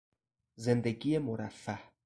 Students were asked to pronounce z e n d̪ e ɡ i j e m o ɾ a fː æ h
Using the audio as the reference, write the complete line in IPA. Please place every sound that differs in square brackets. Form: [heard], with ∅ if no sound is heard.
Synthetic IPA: z e n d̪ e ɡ i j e m o ɾ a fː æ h